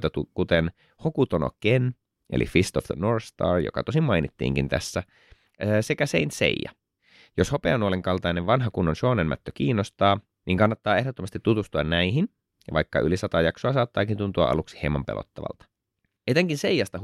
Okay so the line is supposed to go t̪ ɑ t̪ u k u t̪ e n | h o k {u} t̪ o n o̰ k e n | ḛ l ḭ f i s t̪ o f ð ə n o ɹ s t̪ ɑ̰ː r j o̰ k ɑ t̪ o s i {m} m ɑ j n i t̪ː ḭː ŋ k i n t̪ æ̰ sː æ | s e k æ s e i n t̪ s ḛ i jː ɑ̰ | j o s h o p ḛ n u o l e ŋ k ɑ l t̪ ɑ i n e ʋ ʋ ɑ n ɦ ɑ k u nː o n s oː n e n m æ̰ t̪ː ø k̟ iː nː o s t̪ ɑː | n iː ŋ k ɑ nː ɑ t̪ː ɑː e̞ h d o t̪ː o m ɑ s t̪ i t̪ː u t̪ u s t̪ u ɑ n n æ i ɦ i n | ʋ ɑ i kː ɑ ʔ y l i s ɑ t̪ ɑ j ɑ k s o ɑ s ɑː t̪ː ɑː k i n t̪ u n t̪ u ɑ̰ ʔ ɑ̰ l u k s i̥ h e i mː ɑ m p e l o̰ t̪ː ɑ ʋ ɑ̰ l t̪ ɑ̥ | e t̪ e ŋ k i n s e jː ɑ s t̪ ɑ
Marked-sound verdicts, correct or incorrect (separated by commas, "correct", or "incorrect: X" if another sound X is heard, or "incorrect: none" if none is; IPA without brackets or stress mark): correct, correct